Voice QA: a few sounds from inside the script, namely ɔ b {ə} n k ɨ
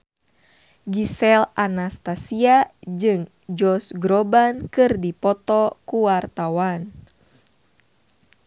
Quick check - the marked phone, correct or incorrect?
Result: incorrect